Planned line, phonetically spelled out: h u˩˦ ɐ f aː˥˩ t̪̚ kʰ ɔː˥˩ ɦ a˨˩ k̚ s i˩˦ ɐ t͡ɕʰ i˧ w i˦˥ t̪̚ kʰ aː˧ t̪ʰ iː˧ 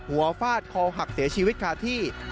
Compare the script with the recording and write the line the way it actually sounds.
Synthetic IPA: h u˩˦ ɐ f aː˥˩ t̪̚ kʰ ɔː˧ ɦ a˨˩ k̚ s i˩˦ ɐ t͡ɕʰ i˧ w i˦˥ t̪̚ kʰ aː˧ t̪ʰ iː˥˩